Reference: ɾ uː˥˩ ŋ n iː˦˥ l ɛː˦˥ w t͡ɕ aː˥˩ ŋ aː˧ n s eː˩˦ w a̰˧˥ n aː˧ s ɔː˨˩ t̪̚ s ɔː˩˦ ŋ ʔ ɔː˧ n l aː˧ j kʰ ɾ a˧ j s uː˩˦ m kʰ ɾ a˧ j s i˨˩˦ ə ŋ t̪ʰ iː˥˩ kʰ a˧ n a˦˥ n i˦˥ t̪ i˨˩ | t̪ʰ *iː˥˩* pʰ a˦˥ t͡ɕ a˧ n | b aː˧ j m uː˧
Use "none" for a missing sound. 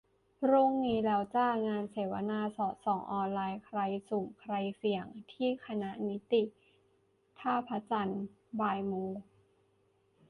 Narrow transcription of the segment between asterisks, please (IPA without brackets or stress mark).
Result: aː˥˩